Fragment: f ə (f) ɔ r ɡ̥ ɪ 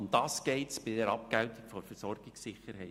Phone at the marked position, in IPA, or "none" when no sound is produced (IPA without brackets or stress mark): s